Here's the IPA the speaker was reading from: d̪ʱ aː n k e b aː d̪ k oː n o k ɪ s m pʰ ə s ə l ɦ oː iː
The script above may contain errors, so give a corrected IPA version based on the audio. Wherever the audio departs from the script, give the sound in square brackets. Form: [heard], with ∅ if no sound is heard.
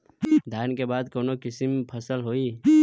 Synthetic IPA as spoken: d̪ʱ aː n k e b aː d̪ k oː n o k ɪ s m pʰ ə s ə l ɦ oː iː